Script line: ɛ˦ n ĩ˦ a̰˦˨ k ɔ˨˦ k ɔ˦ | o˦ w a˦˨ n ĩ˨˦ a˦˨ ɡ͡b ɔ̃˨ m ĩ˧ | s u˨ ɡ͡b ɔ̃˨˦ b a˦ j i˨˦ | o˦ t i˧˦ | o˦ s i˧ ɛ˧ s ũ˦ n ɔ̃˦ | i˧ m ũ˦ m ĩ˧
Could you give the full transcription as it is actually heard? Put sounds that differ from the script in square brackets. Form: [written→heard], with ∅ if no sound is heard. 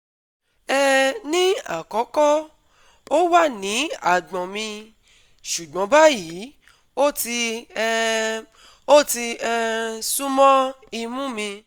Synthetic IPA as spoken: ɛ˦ n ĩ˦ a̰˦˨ k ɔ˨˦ k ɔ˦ | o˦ w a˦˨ n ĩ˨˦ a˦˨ ɡ͡b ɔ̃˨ m ĩ˧ | [s→ʃ] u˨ ɡ͡b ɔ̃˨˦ b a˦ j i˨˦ | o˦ t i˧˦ | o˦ [s→t] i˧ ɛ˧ s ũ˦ [n→m] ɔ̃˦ | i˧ m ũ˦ m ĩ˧